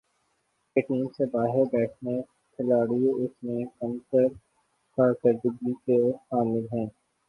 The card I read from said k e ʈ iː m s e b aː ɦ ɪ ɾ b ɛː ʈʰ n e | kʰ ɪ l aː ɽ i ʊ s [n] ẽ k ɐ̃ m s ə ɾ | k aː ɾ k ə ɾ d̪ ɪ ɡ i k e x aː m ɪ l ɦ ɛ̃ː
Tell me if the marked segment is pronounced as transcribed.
no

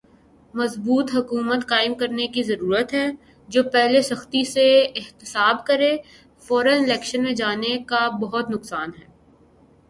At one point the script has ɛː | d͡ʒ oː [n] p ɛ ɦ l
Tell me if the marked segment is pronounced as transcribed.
no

